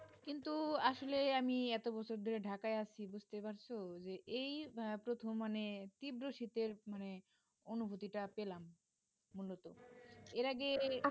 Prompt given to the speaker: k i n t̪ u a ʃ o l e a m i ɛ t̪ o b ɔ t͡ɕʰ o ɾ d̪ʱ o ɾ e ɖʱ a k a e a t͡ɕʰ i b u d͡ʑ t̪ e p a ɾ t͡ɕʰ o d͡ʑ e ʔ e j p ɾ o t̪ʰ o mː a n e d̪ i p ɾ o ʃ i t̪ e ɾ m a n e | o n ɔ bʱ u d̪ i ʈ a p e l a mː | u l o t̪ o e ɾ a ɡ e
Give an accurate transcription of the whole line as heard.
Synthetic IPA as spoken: k i n t̪ u a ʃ o l e a m i ɛ t̪ o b ɔ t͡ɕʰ o ɾ d̪ʱ o ɾ e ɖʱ a k a e a t͡ɕʰ i b u d͡ʑ t̪ e p a ɾ t͡ɕʰ o d͡ʑ e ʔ e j p ɾ o t̪ʰ o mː a n e t̪ i b ɾ o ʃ i t̪ e ɾ m a n e | o n u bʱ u t̪ i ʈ a p e l a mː | u l o t̪ o e ɾ a ɡ e